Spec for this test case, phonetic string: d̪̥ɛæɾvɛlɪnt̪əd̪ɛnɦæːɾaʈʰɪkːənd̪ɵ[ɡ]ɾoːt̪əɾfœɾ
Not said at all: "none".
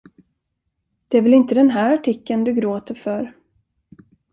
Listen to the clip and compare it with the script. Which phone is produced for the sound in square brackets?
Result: ɡ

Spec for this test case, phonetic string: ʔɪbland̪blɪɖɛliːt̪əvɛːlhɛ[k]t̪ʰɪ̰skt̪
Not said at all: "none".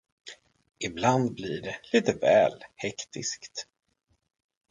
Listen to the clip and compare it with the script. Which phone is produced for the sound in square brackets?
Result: k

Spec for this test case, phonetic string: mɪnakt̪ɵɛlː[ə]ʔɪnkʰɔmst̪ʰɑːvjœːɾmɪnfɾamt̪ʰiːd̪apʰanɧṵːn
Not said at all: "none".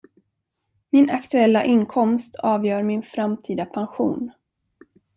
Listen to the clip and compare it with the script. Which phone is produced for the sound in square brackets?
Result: a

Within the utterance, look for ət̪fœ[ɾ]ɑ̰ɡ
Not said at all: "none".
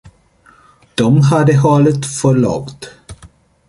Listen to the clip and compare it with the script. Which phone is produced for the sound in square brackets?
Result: ɭ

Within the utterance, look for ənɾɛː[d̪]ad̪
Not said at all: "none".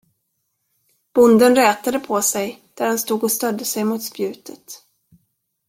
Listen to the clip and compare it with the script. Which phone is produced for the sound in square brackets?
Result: t̪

